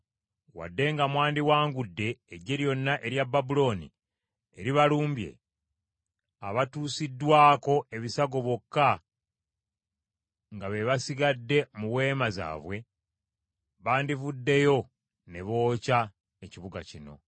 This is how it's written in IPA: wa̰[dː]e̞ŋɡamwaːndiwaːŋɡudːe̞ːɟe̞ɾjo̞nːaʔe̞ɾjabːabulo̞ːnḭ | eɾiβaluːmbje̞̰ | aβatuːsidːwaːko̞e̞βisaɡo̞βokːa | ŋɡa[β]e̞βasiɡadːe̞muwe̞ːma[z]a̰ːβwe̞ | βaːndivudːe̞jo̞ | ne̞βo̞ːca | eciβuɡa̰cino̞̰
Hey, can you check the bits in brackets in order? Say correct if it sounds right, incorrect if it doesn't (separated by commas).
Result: correct, correct, correct